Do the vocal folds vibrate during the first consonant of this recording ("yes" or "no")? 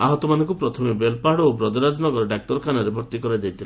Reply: yes